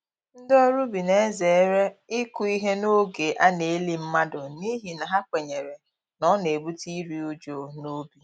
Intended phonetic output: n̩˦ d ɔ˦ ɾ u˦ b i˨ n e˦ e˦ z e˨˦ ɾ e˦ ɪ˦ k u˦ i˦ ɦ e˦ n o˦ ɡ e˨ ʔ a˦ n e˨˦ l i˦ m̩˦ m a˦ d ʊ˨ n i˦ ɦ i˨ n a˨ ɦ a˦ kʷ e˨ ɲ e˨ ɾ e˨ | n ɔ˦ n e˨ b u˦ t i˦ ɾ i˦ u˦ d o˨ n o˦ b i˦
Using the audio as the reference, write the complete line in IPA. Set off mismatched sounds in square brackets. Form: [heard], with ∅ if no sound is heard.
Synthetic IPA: n̩˦ d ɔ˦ ɾ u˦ b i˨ n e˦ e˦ z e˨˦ ɾ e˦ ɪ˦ k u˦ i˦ ɦ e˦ n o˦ ɡ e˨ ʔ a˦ n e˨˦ l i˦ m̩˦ m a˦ d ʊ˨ n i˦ ɦ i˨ n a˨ ɦ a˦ kʷ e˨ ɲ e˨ ɾ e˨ | n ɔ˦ n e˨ b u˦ t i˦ ɾ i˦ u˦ [d͡ʒ] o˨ n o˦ b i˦